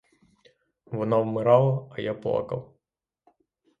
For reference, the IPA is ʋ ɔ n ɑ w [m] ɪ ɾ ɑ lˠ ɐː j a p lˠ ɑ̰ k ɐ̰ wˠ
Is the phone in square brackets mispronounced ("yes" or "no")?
no